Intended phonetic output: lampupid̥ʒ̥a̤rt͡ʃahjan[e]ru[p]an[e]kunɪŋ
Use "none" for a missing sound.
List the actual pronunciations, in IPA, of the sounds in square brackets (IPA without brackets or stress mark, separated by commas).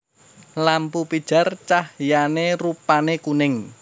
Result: e, p, e